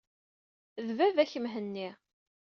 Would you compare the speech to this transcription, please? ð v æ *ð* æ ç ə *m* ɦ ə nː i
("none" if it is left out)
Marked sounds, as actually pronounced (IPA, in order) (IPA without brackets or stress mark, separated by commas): v, m